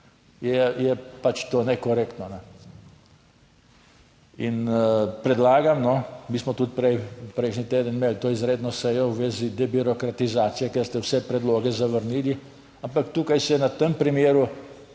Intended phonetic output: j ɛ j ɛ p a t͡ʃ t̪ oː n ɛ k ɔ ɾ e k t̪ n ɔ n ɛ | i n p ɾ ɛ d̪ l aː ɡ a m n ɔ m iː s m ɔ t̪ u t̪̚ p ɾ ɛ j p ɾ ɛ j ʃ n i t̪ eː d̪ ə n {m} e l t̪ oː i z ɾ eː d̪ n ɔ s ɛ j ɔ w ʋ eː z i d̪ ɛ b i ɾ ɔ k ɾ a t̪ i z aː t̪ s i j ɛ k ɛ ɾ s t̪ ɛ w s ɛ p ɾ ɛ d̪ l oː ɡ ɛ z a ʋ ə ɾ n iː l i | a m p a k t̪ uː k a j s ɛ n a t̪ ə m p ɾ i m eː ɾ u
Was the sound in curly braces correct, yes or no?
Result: yes